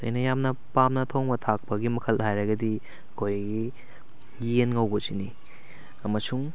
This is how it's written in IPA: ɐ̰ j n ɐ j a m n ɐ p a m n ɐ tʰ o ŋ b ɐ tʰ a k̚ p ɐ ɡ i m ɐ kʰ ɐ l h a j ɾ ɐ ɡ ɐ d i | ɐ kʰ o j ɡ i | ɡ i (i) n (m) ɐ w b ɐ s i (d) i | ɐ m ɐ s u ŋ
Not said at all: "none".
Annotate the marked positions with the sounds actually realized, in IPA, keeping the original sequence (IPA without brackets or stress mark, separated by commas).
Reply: e, ŋ, n